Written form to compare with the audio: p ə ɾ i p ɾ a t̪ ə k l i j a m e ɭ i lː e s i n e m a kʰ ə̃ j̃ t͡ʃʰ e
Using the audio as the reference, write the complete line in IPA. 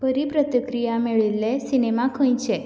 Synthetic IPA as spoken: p ə ɾ i p ɾ ə t̪ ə k ɾ i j a m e ɭ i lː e s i n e m a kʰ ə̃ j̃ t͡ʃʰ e